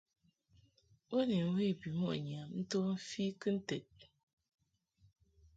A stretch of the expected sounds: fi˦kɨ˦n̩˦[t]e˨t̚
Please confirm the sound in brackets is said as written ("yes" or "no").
yes